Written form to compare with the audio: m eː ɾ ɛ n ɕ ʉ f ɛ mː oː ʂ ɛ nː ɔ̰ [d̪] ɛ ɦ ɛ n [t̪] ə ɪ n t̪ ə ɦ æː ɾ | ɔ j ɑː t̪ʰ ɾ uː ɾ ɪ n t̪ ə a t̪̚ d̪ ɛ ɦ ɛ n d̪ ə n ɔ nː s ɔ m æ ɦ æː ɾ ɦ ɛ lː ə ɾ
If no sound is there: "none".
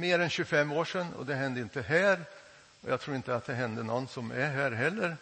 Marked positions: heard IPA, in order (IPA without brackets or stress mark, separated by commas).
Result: d̪, d̪